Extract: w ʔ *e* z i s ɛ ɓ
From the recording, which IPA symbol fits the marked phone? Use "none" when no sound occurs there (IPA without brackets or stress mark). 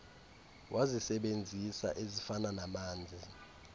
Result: a